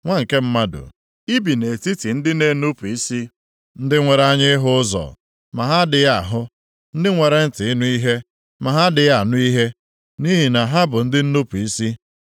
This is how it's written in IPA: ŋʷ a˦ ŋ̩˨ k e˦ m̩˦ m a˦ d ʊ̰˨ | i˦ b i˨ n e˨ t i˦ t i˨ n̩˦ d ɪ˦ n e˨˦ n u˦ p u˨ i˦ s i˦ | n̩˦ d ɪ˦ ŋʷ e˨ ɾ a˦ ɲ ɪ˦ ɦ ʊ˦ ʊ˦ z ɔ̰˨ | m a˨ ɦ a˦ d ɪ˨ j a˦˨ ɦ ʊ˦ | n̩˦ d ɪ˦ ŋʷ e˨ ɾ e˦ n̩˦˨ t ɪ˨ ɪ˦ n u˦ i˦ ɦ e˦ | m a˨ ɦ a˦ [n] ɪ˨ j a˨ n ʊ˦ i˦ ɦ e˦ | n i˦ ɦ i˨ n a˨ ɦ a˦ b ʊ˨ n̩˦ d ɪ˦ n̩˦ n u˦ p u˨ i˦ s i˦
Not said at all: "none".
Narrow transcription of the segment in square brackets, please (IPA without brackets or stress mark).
d